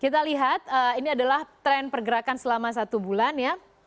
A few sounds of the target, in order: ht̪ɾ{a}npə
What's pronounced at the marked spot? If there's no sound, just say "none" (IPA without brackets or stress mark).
ɛ